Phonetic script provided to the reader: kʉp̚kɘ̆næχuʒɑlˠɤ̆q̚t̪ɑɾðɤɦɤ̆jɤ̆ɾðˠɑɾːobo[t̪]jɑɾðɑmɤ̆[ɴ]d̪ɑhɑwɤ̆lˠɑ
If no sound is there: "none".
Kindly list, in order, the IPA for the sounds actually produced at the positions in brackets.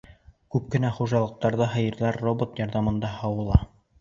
t̪, n

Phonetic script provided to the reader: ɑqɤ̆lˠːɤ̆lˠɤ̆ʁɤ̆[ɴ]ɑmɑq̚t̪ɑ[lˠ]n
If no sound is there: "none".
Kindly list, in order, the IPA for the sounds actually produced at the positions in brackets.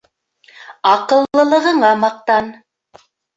ɴ, none

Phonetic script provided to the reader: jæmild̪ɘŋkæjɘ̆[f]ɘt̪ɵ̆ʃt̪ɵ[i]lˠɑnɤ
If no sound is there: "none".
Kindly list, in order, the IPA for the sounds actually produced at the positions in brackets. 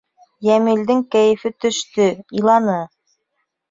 f, i

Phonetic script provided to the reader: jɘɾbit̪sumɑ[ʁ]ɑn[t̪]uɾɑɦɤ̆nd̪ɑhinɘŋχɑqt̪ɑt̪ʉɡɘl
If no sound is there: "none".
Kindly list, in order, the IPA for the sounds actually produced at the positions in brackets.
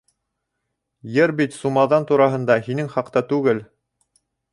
ð, t̪

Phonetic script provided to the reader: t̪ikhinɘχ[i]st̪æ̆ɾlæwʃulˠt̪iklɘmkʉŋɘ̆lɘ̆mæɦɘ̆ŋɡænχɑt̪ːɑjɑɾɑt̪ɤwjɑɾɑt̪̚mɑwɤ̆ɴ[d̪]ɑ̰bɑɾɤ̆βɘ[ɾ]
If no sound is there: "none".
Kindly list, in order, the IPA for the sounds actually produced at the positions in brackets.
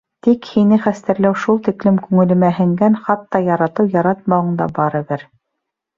æ, d̪, ɾ

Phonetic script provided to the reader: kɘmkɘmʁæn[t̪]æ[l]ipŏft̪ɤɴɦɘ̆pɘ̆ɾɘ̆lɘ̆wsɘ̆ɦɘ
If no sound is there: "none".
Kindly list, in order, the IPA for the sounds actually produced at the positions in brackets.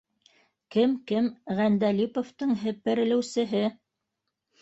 d̪, l

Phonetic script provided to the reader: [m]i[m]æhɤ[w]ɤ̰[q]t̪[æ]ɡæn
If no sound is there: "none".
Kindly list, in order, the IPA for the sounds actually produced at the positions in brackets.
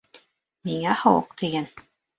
m, ŋ, w, q, i

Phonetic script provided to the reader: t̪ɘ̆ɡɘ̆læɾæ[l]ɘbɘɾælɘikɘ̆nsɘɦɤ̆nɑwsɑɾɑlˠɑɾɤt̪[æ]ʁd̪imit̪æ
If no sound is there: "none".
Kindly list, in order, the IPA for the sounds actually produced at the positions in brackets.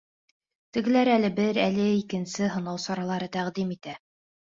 l, æ

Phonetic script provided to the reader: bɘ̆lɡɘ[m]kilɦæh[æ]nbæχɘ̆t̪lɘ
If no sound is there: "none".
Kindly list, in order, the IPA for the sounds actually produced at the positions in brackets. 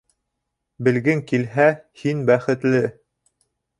ŋ, i

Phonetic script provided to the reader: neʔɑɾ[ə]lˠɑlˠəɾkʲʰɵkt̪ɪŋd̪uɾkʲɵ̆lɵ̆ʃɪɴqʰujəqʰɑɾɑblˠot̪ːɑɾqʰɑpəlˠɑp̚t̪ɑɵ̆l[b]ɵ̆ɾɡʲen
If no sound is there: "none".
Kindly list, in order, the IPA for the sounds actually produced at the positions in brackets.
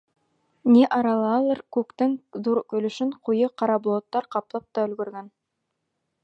ɑ, ɡ

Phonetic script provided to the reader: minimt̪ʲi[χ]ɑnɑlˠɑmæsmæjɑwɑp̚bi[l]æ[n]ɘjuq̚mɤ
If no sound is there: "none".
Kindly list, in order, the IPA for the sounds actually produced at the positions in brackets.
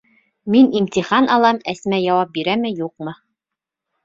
χ, ɾ, m

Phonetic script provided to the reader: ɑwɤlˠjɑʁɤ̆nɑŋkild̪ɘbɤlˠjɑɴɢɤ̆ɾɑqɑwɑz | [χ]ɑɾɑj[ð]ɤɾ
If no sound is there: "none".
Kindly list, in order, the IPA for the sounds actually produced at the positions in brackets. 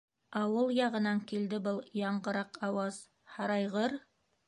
h, ʁ

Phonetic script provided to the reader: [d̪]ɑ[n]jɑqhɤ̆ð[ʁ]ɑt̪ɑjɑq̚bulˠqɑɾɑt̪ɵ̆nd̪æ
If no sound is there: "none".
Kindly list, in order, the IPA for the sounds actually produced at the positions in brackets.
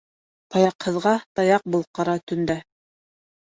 t̪, none, ʁ

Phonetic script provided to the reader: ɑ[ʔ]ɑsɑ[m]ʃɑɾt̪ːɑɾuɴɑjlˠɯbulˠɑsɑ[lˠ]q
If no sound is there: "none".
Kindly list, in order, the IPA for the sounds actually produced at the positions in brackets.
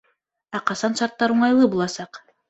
q, n, none

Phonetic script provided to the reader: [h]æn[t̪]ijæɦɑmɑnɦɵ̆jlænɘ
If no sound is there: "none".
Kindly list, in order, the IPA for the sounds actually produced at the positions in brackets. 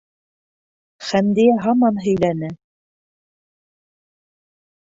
χ, d̪

